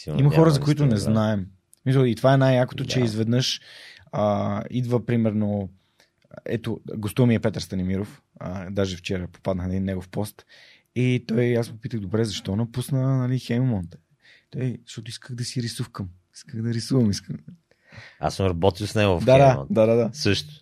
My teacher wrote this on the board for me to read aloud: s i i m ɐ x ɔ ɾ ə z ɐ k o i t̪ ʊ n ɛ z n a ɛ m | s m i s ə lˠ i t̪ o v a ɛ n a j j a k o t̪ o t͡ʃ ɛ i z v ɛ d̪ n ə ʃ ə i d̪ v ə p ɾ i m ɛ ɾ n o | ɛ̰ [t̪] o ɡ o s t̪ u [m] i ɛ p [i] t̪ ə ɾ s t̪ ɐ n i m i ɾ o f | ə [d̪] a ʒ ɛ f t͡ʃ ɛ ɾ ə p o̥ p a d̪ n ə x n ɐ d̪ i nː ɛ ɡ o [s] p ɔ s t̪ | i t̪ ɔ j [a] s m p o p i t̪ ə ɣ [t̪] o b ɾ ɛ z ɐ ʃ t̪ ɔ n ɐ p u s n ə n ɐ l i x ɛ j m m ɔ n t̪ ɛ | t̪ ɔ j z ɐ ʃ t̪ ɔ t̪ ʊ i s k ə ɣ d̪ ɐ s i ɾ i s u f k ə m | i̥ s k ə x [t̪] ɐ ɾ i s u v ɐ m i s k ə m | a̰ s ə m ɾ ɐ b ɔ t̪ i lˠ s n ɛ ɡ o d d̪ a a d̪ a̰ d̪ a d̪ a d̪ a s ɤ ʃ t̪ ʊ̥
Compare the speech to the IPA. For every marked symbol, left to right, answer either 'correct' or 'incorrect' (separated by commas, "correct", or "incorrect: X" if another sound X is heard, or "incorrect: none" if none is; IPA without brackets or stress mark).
correct, correct, incorrect: ɛ, correct, incorrect: f, correct, incorrect: d̪, incorrect: d̪